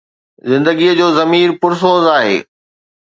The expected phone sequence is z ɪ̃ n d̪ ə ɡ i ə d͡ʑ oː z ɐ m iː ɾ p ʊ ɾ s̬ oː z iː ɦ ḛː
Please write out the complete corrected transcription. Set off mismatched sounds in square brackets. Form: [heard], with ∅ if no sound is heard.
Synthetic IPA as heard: z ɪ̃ n d̪ ə ɡ i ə d͡ʑ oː z ɐ m iː ɾ p ʊ ɾ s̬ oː z [aː] ɦ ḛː